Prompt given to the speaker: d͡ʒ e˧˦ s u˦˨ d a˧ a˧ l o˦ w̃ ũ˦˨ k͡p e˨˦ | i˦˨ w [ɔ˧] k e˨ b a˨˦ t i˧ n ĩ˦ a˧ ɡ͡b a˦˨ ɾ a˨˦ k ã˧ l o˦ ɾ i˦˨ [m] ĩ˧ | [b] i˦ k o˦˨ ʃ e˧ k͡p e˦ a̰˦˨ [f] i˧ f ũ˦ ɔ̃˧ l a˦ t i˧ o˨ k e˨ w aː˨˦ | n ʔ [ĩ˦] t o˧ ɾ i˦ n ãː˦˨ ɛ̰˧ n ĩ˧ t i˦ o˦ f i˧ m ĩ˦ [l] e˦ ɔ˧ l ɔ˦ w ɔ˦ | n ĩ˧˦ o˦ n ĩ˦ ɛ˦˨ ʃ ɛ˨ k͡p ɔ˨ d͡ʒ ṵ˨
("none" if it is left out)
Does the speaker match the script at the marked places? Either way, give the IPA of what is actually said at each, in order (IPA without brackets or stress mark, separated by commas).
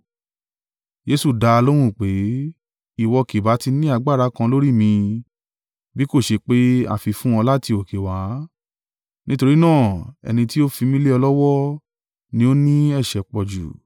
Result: ɔ˧, m, b, f, ĩ˦, l